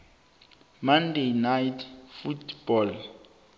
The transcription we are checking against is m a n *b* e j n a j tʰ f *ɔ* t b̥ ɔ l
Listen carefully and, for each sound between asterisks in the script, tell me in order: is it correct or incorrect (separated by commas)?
incorrect, incorrect